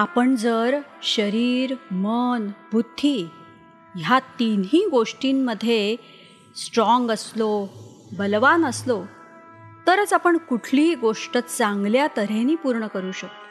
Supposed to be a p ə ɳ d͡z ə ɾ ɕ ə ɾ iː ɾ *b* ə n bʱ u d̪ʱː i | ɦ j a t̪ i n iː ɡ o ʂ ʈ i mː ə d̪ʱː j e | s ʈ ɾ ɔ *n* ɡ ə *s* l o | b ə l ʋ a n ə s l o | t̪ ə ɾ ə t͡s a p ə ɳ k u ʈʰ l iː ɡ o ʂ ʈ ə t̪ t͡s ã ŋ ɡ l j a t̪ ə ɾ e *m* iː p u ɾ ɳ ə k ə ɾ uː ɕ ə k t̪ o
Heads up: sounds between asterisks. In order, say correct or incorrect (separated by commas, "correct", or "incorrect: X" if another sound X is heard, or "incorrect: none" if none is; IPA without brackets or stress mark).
incorrect: m, incorrect: ŋ, correct, incorrect: n